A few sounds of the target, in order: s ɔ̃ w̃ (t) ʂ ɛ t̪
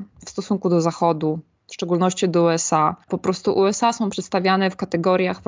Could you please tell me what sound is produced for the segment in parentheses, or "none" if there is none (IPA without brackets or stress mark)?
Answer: p